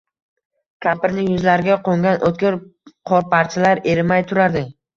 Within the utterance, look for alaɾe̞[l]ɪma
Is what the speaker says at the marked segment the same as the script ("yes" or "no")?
no